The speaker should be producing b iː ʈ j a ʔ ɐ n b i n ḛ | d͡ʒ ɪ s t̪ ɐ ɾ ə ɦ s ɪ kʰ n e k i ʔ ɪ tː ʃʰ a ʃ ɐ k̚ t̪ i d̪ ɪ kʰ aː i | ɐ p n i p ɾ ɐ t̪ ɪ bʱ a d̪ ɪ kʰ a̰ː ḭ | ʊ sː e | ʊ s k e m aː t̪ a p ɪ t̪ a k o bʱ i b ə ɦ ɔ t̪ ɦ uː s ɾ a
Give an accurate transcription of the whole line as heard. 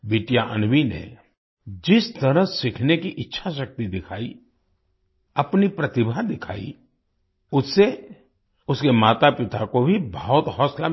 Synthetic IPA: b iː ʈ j a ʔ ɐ n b i n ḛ | d͡ʒ ɪ s t̪ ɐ ɾ ə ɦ s ɪ kʰ n e k i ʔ ɪ tː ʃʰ a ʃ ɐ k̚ t̪ i d̪ ɪ kʰ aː i | ɐ p n i p ɾ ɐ t̪ ɪ bʱ a d̪ ɪ kʰ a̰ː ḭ | ʊ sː e | ʊ s k e m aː t̪ a p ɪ t̪ a k o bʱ i b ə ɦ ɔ t̪ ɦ ɔː s l a